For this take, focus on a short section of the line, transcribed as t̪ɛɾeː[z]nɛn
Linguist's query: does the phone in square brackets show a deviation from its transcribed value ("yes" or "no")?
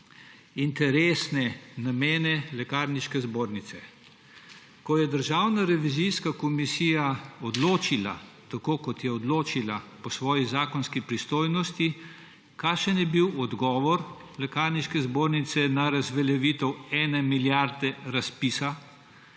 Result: yes